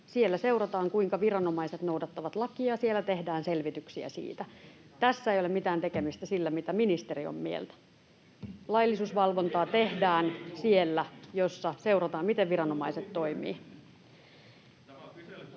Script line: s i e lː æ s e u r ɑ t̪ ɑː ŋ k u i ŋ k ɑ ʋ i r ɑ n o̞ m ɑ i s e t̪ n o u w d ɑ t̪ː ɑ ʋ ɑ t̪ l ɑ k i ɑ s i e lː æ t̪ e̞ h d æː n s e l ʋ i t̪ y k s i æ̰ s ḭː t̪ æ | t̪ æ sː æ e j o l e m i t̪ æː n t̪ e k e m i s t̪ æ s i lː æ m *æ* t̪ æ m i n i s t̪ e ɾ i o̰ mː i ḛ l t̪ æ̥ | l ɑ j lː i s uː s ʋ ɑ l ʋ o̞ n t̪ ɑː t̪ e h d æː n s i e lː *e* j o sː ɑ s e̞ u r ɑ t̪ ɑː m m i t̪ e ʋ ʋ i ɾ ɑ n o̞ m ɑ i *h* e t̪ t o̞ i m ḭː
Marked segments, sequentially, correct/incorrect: incorrect, incorrect, incorrect

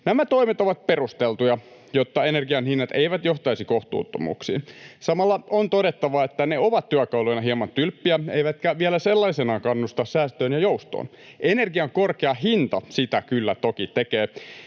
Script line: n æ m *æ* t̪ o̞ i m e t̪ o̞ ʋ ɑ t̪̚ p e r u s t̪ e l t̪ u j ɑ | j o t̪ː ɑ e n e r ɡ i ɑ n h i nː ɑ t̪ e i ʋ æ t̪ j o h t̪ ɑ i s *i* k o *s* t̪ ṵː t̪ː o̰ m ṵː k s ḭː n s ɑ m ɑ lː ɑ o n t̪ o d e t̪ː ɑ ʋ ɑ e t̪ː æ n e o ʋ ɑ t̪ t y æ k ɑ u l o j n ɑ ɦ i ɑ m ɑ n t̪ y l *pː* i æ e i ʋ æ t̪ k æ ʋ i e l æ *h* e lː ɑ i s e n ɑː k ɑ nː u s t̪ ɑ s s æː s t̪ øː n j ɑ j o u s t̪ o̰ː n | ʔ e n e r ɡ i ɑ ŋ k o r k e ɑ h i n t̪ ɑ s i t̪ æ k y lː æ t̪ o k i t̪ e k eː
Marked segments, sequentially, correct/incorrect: correct, correct, incorrect, correct, incorrect

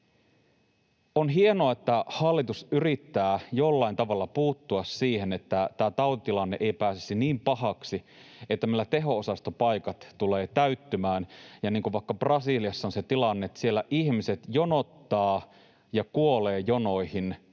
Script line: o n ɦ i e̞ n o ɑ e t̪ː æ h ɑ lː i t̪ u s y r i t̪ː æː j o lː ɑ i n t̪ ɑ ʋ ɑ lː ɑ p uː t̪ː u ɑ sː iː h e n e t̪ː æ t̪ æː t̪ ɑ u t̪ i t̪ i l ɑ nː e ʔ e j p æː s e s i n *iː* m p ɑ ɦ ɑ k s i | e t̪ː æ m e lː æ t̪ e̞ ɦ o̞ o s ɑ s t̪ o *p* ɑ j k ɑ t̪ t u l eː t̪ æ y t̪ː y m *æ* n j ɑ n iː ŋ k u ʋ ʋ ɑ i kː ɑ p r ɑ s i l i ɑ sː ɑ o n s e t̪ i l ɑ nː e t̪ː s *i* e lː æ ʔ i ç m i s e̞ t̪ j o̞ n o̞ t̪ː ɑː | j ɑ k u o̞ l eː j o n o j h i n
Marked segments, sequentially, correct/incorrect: correct, correct, incorrect, correct

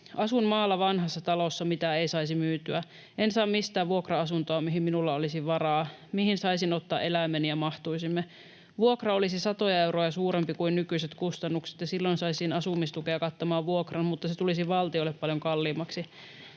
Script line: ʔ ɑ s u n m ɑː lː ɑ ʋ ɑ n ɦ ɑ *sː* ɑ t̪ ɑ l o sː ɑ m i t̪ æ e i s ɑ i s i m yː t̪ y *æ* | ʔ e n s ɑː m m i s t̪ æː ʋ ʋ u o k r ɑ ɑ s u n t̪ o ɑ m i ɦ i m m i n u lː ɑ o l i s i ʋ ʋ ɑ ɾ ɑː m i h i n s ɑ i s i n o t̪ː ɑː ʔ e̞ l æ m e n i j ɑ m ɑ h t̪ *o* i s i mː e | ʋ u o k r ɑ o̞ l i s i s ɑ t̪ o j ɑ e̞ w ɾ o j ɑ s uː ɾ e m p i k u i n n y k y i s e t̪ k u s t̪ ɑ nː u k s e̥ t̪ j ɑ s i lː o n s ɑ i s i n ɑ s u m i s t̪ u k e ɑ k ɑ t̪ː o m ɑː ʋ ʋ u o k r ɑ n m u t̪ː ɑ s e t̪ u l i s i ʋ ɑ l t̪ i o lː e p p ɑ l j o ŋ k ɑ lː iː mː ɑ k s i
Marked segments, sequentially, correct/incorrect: correct, correct, incorrect

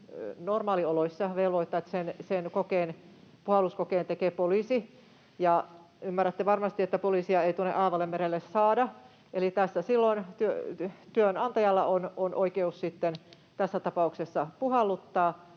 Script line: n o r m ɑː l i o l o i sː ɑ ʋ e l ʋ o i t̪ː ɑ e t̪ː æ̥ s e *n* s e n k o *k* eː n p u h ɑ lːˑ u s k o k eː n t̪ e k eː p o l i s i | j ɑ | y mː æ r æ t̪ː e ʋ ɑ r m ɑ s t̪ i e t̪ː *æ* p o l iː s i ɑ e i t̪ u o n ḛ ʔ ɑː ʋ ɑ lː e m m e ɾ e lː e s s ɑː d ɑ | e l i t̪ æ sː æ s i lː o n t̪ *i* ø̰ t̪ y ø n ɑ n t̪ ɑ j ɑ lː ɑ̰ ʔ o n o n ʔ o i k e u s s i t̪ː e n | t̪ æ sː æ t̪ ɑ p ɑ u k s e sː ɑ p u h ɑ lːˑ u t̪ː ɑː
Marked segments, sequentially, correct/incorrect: correct, correct, correct, incorrect

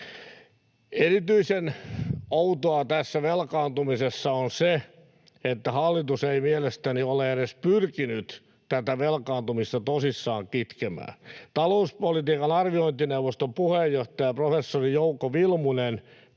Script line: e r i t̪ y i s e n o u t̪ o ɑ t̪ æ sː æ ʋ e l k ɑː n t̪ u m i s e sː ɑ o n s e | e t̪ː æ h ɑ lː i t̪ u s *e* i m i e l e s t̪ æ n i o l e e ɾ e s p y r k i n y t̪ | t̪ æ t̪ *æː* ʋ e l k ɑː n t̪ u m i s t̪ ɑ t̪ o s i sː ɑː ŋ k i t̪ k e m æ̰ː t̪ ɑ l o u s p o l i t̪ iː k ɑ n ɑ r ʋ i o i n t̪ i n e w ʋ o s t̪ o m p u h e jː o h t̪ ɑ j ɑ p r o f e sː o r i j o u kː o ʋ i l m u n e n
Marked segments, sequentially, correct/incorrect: correct, incorrect

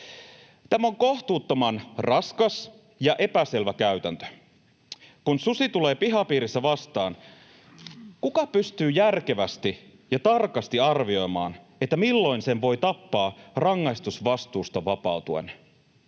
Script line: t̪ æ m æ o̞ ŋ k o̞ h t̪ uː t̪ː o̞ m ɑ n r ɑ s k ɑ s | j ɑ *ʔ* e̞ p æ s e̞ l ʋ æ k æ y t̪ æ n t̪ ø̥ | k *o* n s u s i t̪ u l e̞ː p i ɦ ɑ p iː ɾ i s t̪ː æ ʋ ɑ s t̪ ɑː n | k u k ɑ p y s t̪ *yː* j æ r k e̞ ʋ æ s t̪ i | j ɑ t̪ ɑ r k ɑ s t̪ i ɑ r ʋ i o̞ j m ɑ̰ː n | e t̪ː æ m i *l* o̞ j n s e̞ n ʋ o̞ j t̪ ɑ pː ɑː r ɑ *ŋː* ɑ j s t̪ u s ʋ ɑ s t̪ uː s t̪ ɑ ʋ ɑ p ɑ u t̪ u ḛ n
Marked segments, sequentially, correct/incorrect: correct, incorrect, correct, incorrect, correct

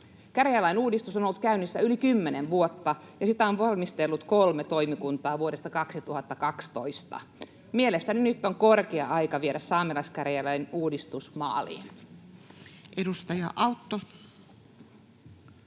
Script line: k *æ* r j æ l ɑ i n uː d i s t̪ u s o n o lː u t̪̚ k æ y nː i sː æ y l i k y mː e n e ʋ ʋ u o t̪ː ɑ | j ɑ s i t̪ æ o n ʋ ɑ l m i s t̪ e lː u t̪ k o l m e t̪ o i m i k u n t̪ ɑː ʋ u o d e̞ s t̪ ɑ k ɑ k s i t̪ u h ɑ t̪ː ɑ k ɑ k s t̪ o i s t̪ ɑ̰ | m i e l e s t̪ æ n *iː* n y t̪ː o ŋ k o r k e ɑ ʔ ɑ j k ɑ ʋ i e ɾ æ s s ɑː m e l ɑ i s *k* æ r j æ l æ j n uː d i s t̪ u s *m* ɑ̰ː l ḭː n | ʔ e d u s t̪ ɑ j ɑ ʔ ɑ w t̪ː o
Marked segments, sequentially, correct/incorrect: correct, incorrect, correct, correct

